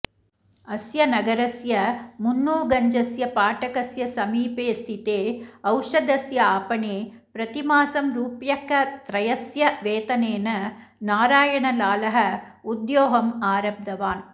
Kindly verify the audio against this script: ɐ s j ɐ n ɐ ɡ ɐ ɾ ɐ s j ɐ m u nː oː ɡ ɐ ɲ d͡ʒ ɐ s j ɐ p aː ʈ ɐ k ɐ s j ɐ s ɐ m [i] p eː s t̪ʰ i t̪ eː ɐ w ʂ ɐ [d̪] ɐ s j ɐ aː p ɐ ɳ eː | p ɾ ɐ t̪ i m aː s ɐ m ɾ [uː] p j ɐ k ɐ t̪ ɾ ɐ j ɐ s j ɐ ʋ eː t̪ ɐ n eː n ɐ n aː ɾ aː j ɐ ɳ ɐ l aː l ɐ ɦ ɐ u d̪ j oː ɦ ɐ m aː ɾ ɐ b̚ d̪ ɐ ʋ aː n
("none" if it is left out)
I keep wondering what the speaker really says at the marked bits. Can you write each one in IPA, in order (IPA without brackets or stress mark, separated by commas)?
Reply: iː, d̪, uː